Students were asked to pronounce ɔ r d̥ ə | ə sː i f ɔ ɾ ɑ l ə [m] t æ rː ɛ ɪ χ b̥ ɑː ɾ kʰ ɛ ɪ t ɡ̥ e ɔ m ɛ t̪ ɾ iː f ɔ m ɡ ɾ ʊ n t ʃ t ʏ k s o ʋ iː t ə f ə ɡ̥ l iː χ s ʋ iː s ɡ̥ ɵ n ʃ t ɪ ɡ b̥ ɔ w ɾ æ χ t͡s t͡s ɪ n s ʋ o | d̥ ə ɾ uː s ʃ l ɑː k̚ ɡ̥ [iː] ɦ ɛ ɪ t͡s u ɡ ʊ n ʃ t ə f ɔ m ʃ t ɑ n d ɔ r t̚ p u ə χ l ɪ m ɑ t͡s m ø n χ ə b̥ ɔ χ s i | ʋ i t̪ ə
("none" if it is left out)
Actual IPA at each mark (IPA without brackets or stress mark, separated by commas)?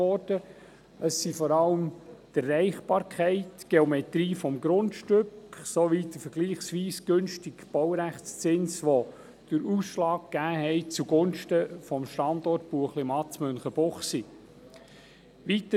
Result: m, æː